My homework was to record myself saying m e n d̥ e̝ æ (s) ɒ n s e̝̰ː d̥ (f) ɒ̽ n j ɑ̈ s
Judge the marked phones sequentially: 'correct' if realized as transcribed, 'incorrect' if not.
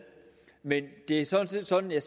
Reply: correct, incorrect

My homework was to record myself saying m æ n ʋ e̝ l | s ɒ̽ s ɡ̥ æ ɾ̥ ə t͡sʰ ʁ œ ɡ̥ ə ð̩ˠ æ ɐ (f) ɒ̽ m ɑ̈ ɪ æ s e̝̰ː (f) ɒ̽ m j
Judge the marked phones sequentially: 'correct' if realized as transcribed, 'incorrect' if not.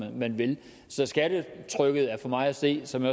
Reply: correct, incorrect

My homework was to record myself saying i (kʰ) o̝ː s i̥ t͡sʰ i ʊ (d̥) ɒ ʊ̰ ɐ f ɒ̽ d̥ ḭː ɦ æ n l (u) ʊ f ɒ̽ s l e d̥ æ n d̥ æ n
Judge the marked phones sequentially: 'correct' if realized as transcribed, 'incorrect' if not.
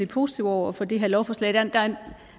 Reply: incorrect, incorrect, incorrect

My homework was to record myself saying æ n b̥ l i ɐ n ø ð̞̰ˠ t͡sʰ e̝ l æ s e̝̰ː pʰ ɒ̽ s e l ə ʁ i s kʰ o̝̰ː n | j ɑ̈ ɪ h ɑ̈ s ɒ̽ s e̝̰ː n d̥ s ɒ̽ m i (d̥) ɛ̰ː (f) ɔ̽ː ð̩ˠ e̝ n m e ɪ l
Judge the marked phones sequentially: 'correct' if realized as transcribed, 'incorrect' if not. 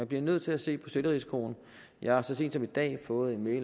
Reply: correct, correct

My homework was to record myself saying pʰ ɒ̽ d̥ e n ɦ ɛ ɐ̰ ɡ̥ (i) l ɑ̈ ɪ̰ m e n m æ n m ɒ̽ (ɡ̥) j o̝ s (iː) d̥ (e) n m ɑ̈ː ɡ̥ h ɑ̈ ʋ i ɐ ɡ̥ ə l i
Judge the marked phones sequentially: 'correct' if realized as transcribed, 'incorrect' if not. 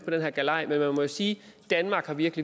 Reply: incorrect, incorrect, correct, incorrect

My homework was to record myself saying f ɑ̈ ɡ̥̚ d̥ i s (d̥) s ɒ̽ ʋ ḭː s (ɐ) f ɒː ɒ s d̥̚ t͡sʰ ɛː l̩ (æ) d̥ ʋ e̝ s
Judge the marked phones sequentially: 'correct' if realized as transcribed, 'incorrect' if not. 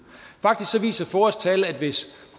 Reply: incorrect, correct, correct

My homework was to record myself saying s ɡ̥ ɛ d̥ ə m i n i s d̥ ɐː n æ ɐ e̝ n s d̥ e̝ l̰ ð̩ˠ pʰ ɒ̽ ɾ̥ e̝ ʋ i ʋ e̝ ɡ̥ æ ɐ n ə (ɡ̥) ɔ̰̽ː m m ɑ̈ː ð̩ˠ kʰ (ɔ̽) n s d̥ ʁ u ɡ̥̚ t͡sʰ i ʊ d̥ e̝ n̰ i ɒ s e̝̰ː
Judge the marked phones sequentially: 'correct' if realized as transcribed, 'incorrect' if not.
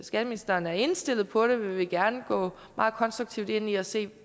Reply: correct, incorrect

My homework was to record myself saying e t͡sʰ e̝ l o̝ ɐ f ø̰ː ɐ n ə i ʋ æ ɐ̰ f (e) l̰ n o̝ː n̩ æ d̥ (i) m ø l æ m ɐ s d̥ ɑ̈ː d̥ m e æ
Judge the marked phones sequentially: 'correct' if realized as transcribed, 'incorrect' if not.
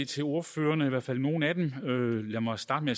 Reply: incorrect, incorrect

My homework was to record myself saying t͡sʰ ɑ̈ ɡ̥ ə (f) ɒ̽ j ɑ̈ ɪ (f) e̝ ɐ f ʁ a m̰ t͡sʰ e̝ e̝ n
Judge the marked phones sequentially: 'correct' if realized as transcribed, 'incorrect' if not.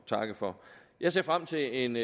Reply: correct, incorrect

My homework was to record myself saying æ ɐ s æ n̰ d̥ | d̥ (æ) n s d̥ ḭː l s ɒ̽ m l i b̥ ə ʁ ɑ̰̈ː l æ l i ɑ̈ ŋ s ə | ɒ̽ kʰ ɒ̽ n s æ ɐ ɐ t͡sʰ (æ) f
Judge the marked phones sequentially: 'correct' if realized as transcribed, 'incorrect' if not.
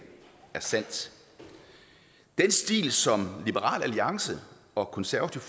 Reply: incorrect, incorrect

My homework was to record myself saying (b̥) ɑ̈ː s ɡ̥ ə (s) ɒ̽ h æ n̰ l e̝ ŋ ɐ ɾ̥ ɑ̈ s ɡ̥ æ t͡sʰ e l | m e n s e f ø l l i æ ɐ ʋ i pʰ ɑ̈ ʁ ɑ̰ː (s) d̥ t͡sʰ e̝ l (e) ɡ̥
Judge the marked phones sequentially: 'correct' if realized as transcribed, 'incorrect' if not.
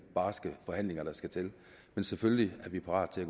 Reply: correct, incorrect, incorrect, incorrect

